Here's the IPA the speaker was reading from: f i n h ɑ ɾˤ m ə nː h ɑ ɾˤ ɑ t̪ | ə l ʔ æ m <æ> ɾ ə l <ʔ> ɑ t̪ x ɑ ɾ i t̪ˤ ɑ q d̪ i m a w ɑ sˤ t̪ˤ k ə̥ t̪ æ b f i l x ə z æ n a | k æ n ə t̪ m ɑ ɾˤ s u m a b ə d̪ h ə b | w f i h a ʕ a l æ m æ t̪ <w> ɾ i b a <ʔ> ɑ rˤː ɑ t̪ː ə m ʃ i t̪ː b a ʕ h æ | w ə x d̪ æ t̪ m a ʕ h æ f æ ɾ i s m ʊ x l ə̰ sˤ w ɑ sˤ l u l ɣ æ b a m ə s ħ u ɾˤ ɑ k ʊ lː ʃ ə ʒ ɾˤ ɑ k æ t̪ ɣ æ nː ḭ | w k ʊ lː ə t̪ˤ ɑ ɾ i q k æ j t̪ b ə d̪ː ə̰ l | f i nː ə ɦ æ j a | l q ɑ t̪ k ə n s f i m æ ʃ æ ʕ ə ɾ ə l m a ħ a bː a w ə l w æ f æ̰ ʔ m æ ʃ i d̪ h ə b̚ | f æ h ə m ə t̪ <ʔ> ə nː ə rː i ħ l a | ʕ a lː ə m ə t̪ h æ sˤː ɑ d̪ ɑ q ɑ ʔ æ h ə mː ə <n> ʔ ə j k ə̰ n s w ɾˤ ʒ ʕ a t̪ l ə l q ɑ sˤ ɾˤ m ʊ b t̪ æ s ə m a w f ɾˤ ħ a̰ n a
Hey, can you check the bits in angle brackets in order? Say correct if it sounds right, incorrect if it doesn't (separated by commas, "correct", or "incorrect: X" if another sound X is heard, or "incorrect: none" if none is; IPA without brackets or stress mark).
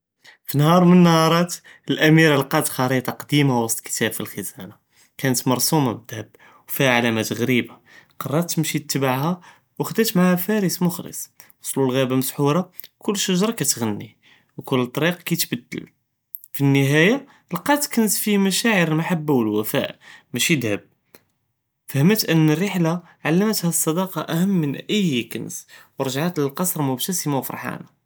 incorrect: i, incorrect: q, incorrect: ɣ, incorrect: q, correct, correct